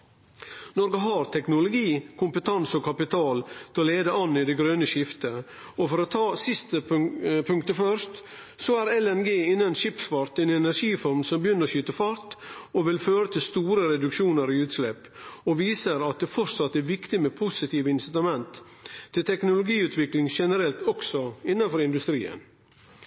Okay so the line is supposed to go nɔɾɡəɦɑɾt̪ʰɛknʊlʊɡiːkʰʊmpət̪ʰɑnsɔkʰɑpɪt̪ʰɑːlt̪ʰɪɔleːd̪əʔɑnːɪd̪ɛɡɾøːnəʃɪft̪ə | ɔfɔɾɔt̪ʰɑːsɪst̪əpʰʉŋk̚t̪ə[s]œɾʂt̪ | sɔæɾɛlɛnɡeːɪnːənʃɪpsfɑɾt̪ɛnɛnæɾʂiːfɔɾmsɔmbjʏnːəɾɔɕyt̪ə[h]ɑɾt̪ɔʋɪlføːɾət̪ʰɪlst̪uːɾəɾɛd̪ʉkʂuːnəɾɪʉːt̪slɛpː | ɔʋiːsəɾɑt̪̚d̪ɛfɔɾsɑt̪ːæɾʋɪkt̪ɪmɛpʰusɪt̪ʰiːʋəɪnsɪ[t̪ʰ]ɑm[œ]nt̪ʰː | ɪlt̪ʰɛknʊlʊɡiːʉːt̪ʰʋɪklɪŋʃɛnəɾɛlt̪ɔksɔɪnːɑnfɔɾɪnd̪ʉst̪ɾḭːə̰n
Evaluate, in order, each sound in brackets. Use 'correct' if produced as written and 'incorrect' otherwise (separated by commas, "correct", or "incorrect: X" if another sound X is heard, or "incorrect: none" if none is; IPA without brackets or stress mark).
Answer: incorrect: f, incorrect: f, incorrect: t̪, incorrect: ɛ